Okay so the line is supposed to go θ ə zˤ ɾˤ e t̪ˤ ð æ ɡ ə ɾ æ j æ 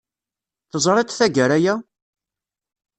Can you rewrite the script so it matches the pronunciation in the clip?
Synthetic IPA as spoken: θ ə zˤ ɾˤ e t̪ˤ θ æ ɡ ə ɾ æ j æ